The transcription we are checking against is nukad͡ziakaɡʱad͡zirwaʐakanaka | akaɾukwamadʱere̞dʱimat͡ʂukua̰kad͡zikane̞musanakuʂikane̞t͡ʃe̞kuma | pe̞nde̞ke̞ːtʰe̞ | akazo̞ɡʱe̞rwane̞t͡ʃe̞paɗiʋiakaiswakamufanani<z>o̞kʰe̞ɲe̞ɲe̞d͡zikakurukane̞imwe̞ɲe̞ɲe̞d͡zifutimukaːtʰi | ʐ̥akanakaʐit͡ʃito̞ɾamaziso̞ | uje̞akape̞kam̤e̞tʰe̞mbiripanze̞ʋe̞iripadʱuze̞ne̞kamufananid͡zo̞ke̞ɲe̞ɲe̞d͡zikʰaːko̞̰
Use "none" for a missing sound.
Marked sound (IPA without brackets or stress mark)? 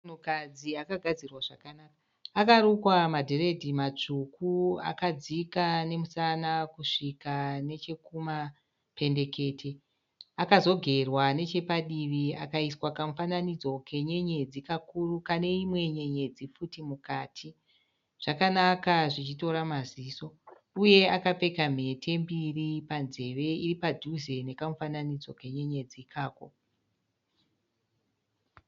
d͡z